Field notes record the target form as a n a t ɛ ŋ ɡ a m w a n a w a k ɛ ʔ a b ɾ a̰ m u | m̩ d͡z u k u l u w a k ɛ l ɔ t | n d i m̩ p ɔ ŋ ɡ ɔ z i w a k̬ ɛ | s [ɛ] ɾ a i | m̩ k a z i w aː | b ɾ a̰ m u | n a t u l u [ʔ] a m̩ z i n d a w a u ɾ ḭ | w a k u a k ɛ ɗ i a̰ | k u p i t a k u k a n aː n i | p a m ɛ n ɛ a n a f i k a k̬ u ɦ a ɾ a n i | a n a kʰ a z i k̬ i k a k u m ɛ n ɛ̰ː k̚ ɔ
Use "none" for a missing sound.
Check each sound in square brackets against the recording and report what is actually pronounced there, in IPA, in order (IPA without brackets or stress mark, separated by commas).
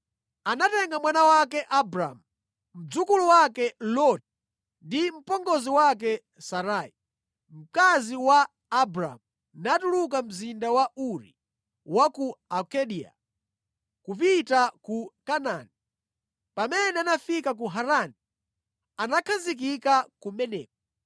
a, k